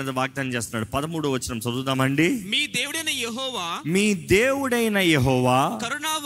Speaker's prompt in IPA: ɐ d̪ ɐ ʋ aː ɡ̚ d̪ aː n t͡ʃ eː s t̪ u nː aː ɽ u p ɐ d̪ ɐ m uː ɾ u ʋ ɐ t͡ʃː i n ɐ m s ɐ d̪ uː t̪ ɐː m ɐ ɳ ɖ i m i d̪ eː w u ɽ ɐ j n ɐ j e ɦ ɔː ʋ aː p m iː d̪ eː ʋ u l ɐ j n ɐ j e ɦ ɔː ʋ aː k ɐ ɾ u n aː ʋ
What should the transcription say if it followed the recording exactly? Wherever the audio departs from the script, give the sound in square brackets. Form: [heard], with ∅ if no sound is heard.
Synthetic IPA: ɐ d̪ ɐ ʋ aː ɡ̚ d̪ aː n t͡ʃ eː s t̪ u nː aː ɽ u p ɐ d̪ ɐ m uː [ɽ] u ʋ ɐ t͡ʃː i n ɐ m s ɐ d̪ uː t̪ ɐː m ɐ ɳ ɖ i m [iː] d̪ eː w u ɽ ɐ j n ɐ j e ɦ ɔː ʋ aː [∅] m iː d̪ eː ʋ u [ɽ] ɐ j n ɐ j e ɦ ɔː ʋ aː k ɐ ɾ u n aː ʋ